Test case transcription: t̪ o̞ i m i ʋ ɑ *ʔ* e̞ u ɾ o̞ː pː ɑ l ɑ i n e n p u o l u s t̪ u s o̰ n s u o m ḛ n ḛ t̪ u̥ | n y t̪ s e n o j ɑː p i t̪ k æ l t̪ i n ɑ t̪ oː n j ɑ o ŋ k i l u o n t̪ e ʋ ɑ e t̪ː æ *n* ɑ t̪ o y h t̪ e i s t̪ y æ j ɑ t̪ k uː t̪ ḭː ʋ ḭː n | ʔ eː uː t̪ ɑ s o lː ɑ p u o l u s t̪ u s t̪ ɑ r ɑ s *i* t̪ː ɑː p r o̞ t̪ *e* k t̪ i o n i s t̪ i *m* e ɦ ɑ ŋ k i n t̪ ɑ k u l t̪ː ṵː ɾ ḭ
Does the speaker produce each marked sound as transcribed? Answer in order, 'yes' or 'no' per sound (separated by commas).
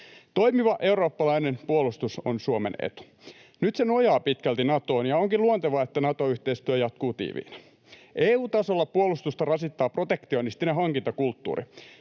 yes, yes, yes, yes, no